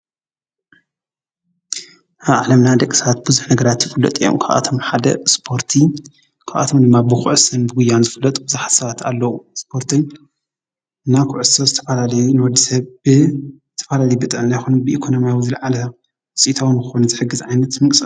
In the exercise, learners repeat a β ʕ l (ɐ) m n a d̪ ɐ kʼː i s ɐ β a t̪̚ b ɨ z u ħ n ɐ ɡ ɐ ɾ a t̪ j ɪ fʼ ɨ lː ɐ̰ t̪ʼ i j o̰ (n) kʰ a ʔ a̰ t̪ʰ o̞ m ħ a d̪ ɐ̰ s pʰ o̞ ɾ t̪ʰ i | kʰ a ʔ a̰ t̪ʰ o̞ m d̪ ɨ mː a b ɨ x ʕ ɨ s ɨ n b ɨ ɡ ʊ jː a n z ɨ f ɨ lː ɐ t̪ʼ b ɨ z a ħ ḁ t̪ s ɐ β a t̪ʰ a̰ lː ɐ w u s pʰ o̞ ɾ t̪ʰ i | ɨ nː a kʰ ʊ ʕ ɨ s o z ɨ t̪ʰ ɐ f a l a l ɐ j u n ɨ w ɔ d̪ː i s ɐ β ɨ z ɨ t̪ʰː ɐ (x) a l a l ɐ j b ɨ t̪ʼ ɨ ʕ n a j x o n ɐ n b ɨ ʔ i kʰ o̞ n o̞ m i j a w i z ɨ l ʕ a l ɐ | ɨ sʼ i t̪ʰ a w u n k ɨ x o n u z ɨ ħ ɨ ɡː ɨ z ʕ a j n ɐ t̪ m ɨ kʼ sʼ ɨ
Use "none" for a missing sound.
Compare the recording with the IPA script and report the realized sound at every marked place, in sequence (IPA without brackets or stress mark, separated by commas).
ɐ, m, f